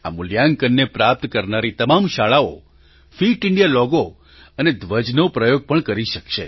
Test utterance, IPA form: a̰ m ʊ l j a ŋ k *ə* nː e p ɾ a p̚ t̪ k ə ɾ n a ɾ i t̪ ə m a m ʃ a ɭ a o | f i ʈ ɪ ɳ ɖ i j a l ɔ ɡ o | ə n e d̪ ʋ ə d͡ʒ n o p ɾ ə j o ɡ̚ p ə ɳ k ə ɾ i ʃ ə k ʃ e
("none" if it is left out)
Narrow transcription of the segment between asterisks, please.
ə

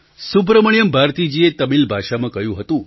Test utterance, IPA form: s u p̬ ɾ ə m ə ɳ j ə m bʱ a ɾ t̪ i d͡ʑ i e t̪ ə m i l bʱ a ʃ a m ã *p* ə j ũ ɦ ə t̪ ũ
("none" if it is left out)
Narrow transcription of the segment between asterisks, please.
k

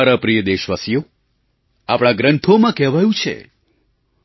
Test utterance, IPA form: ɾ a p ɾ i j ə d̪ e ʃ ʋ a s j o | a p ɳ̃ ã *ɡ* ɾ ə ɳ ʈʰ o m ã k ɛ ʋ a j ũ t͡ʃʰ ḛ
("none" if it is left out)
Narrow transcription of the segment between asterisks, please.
ɡ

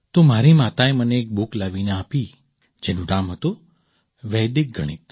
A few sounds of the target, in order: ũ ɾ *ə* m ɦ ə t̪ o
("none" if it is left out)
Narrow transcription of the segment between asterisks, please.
a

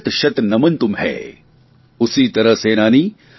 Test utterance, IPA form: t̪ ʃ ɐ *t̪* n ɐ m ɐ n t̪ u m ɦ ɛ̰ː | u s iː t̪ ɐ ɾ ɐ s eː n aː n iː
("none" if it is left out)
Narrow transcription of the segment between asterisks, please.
t̪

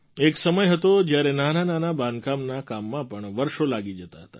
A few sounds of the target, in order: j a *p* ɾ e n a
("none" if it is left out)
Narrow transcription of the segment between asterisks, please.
none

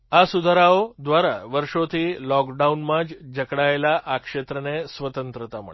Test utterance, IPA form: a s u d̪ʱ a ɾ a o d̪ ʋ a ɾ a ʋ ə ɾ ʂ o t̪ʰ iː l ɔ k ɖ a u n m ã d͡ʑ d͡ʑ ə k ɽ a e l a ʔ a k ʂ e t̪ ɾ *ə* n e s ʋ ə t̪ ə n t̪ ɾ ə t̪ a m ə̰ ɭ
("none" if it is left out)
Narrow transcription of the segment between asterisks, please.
ə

